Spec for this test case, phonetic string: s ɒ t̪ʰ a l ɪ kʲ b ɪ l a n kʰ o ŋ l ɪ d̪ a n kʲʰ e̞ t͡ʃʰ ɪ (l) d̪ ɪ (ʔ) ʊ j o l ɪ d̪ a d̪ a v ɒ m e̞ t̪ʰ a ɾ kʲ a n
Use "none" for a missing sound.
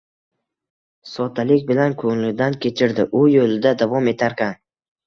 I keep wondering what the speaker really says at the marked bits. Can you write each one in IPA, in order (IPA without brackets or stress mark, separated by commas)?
ɾ, ʔ